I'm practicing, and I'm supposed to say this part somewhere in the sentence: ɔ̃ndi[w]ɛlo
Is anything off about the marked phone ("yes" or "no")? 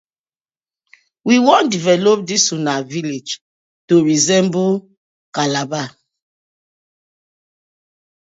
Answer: yes